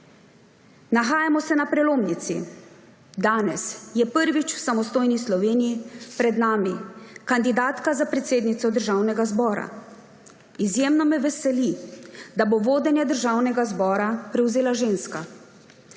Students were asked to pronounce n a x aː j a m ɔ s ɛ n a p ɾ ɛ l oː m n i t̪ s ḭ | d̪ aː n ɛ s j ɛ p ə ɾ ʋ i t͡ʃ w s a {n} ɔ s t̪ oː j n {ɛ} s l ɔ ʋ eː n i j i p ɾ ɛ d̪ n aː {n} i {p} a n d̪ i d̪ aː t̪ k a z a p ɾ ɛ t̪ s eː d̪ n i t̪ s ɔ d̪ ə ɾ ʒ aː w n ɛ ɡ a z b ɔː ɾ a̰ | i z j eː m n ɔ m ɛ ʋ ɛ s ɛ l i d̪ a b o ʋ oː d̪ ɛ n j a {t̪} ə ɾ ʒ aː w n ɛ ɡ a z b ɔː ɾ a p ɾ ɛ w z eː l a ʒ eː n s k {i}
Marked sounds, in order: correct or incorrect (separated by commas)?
incorrect, incorrect, incorrect, incorrect, incorrect, incorrect